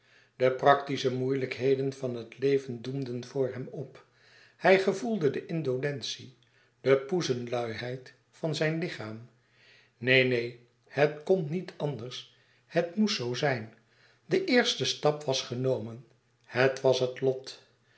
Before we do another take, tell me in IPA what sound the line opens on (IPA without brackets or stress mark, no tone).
d